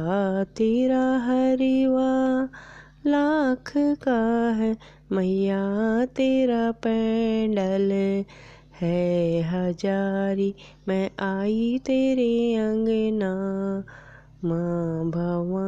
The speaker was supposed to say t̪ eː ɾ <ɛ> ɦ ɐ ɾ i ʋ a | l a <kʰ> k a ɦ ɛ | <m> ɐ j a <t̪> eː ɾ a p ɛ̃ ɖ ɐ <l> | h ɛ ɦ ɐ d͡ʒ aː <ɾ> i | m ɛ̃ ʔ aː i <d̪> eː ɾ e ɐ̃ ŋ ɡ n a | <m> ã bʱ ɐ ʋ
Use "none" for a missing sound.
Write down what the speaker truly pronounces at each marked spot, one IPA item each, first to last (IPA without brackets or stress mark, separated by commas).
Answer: a, kʰ, m, t̪, l, ɾ, t̪, m